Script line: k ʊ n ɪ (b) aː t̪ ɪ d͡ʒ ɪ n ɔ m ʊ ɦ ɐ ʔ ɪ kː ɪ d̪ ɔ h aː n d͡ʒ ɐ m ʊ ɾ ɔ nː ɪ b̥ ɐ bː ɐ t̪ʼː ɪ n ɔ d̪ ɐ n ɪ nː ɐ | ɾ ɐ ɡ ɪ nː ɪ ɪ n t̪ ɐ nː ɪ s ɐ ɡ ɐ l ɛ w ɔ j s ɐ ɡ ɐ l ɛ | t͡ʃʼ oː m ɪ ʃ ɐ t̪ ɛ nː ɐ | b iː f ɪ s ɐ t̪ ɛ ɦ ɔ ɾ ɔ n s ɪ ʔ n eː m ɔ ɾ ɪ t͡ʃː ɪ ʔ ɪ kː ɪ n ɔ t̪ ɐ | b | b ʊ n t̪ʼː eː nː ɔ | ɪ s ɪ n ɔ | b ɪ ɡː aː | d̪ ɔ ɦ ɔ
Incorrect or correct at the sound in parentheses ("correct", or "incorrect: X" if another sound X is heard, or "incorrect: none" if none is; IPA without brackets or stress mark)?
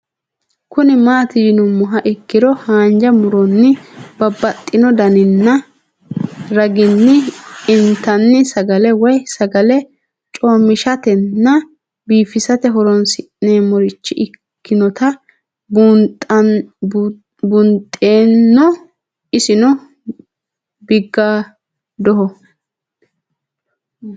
incorrect: m